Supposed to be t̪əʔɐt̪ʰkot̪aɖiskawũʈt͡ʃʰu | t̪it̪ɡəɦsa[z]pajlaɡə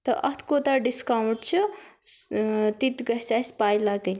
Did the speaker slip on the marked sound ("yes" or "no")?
yes